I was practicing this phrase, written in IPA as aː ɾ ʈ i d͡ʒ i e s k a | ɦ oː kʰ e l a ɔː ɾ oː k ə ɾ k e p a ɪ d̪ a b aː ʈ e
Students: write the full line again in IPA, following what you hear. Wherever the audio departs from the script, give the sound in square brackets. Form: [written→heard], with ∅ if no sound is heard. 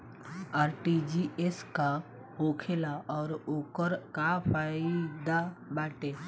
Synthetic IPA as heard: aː ɾ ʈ i d͡ʒ i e s k a | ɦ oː kʰ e l a ɔː ɾ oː k ə ɾ k [e→a] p a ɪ d̪ a b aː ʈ e